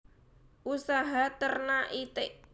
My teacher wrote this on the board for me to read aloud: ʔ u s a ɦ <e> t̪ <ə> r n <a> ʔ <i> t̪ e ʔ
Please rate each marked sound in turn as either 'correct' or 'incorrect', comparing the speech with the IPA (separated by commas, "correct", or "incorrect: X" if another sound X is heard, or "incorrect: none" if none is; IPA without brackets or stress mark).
incorrect: a, correct, correct, correct